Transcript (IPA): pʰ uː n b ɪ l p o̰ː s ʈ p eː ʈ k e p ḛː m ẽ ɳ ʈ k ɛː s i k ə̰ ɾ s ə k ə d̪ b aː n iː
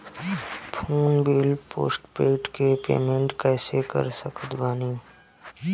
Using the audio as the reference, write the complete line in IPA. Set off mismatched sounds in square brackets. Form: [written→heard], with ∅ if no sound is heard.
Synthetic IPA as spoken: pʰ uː n b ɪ l p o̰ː s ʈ p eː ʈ k e p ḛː m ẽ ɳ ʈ k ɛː s [i→e] k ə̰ ɾ s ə k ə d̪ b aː n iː